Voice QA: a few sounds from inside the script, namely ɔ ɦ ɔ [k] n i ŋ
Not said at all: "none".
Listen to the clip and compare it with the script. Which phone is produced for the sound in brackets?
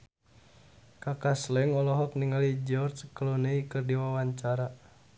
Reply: k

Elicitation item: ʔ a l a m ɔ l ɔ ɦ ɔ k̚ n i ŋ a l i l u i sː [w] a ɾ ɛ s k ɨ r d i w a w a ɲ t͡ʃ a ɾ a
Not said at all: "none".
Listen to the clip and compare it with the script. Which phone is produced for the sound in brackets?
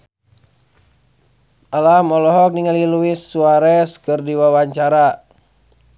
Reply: u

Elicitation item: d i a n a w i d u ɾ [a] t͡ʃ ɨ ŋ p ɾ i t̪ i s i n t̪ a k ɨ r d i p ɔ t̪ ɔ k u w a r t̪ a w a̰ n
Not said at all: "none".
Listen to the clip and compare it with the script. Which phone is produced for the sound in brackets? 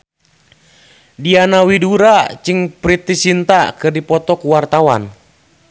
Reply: a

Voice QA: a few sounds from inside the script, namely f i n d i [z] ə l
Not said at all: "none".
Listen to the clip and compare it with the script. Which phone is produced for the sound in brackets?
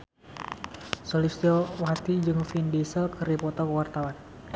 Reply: s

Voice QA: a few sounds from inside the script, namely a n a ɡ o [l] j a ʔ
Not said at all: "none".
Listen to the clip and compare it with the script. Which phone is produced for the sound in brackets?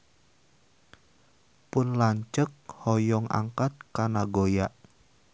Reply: none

